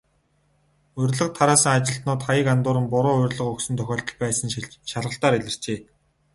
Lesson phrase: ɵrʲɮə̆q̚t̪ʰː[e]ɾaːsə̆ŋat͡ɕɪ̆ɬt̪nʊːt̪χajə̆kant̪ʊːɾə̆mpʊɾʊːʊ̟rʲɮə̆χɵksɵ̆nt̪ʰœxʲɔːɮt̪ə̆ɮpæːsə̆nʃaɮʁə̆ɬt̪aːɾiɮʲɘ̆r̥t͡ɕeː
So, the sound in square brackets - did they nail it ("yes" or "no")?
no